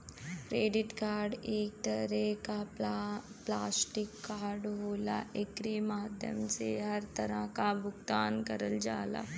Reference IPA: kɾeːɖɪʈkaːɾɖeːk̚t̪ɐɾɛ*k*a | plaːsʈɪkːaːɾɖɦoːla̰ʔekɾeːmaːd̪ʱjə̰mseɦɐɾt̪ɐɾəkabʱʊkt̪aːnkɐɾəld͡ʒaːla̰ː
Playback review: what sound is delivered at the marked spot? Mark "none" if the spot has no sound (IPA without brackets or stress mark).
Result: k